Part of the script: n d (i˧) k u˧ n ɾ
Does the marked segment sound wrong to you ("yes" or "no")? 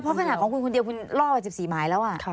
no